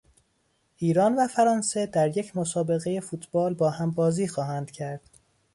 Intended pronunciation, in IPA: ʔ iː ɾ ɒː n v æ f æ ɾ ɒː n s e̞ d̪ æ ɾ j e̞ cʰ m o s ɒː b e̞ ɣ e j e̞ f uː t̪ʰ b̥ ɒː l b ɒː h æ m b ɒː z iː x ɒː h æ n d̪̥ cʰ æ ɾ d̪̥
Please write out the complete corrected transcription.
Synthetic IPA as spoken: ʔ iː ɾ ɒː n v æ f æ ɾ ɒː n s e̞ d̪ æ ɾ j e̞ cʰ m o s ɒː b e̞ ɣ e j e̞ f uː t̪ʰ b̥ ɒː l b ɒː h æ m b ɒː z iː x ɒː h æ n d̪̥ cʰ æ ɾ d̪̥